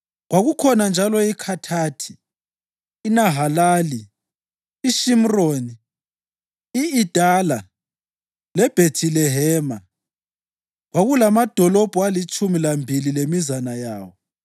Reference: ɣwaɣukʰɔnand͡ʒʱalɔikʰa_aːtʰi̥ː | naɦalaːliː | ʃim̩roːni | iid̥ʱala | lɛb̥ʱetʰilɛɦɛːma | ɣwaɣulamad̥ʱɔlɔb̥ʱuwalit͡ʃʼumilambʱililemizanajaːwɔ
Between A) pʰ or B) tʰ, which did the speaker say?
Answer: B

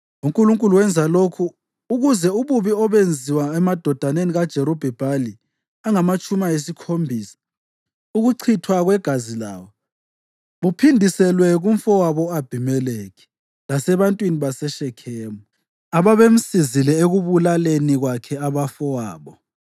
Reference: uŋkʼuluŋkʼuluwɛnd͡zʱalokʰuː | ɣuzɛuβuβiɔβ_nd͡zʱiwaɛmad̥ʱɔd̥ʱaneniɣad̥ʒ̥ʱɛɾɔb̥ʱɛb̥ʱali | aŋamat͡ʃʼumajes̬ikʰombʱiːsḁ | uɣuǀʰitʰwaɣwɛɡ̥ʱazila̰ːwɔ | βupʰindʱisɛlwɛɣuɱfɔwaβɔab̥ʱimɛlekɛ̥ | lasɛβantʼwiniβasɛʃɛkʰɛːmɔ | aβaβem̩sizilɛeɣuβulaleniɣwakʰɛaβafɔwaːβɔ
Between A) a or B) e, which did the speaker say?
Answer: B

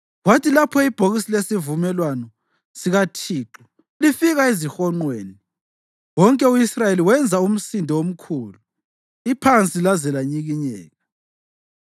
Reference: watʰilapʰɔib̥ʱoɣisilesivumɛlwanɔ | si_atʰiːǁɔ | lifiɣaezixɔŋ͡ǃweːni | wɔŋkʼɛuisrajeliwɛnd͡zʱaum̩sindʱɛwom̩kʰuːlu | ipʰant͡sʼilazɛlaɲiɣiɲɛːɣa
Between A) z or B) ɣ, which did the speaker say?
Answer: B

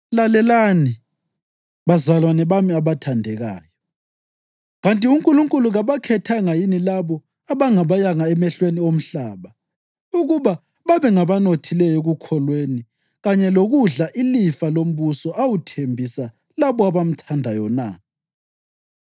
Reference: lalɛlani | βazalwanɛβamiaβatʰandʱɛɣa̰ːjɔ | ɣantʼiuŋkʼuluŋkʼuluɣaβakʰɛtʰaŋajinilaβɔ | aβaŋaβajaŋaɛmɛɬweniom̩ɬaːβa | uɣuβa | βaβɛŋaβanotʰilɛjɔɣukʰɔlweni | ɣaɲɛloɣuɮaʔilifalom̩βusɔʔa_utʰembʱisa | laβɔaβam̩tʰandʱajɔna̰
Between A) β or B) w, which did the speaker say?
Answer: B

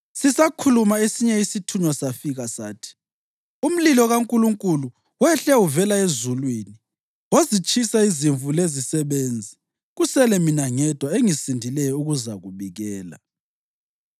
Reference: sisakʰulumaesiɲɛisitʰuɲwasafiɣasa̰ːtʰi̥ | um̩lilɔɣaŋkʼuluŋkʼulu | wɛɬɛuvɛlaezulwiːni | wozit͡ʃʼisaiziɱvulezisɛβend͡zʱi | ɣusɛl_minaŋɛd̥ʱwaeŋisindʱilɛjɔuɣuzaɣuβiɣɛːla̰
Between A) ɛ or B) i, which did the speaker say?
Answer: A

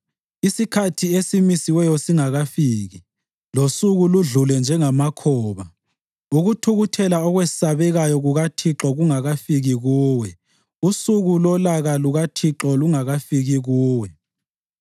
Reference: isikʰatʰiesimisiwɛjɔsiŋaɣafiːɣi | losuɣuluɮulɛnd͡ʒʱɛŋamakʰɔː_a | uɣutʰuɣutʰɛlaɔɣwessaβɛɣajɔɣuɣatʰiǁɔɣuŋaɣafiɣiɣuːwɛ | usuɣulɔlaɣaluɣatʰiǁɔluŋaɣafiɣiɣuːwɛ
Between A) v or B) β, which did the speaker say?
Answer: B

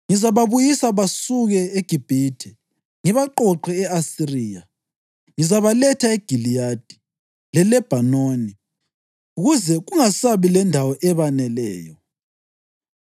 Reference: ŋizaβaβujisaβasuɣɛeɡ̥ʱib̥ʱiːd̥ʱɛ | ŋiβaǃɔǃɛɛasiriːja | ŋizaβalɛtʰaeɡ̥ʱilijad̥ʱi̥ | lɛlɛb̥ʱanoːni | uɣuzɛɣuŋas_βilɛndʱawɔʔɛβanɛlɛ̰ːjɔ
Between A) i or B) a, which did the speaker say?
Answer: B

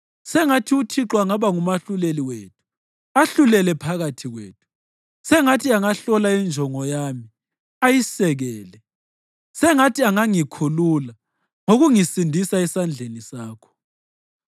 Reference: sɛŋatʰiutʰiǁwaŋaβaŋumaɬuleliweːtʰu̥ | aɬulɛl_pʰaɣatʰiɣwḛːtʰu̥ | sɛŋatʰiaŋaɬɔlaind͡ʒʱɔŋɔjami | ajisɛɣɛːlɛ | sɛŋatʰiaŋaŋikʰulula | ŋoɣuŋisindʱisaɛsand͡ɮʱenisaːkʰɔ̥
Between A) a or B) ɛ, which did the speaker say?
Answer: B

